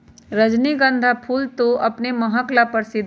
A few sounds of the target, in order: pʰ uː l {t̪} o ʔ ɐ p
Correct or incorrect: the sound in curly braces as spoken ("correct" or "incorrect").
correct